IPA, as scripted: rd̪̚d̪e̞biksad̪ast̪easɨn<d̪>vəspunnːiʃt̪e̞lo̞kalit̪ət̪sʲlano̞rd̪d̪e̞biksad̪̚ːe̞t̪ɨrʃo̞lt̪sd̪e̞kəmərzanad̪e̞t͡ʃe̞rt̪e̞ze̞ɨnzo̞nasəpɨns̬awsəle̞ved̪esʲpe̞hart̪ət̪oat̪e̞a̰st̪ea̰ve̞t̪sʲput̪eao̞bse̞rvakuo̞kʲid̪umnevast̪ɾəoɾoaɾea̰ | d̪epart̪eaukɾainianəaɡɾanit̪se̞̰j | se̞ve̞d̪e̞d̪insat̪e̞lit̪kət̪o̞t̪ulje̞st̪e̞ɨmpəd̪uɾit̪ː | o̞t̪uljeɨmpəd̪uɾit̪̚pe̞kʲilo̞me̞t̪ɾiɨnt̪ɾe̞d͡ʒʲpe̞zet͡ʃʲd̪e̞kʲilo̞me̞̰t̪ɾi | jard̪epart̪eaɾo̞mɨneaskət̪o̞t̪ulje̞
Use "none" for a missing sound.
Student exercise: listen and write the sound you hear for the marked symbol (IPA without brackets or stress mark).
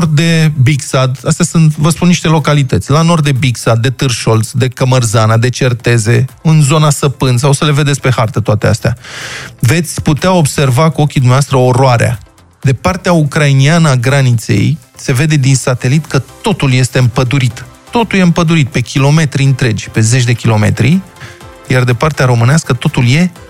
t̪